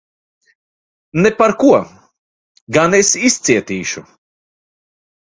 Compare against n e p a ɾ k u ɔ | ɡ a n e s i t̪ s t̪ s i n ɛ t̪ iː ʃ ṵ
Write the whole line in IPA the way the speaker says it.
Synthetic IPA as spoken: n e p a ɾ k u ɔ | ɡ a n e s i s t̪ s i ɛ t̪ iː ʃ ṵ